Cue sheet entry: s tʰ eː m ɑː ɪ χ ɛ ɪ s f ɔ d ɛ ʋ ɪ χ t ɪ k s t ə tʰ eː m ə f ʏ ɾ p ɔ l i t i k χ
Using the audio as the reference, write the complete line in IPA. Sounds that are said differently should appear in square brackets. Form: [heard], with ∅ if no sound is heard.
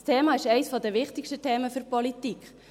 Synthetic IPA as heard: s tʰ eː m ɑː ɪ [ʃ] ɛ ɪ s f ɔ d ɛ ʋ ɪ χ t ɪ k [ʃ] t ə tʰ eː m ə f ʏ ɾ p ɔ l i t i k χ